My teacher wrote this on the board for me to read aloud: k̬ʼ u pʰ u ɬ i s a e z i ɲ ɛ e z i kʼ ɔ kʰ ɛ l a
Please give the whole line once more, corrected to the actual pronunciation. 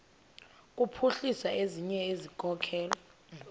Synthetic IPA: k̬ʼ u pʰ u ɬ i s a e z i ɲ ɛ e z i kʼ ɔ kʰ ɛː l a